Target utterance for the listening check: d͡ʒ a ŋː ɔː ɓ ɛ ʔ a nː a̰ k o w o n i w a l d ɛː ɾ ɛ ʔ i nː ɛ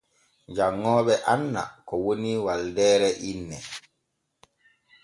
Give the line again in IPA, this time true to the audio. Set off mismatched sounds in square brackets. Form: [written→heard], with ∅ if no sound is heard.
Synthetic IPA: d͡ʒ a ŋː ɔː ɓ ɛ ʔ a nː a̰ k [o→ɔ] w o n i w a l d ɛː ɾ ɛ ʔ i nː ɛ